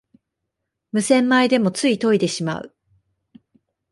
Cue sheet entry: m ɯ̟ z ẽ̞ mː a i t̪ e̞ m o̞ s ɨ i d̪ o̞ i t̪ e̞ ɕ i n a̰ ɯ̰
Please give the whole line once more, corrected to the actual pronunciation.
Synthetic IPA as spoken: m ɯ̟ s ẽ̞ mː a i d̪ e̞ m o̞ t͡s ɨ i t̪ o̞ i d̪ e̞ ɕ i m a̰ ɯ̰

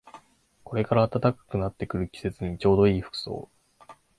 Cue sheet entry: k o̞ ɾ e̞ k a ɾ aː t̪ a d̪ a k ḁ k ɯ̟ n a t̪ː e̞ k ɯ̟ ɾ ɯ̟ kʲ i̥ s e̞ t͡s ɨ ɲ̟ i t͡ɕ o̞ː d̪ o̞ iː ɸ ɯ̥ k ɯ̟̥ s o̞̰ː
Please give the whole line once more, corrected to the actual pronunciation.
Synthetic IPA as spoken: k o̞ ɾ e̞ k a ɾ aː t̪ a t̪ a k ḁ k ɯ̟ n a t̪ː e̞ k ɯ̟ ɾ ɯ̟ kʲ i̥ s e̞ t͡s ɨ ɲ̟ i t͡ɕ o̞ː d̪ o̞ iː ɸ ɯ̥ k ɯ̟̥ s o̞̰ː

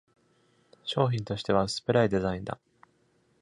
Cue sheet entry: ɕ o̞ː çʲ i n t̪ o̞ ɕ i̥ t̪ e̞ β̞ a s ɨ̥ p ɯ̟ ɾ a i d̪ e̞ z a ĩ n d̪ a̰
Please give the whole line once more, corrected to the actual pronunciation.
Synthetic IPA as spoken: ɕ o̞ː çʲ ĩ n t̪ o̞ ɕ i̥ t̪ e̞ β̞ a s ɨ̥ p ɯ̟ ɾ a i d̪ e̞ z a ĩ n d̪ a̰

